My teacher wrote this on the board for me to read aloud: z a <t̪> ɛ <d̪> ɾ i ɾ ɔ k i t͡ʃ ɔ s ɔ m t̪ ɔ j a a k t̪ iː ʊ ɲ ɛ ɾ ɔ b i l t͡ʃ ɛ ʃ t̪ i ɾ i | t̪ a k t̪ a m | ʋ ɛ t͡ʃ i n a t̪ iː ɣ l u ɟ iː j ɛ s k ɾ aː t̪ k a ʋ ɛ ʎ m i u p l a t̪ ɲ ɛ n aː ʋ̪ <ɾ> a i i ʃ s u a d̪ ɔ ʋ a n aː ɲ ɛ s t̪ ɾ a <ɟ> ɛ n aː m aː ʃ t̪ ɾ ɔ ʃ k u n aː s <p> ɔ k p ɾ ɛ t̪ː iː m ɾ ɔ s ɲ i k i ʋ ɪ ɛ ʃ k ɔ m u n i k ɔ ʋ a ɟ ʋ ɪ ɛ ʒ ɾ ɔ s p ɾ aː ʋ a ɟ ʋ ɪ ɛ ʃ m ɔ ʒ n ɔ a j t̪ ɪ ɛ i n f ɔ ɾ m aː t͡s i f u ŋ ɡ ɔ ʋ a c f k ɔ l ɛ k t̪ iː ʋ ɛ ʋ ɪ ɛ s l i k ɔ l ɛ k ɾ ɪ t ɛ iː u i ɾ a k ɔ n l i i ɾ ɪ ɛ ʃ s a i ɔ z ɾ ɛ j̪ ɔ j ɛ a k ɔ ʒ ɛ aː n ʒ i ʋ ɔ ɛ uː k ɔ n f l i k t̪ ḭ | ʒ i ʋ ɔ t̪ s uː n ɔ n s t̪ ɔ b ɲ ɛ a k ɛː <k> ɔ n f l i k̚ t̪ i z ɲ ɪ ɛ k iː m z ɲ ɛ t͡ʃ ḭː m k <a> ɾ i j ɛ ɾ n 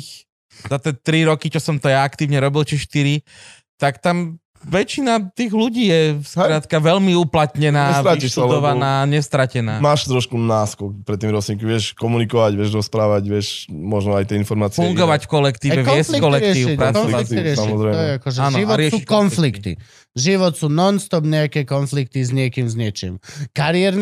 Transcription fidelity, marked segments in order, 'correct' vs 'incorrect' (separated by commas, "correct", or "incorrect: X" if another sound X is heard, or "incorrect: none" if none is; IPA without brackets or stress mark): correct, incorrect: t̪, correct, incorrect: c, incorrect: k, correct, correct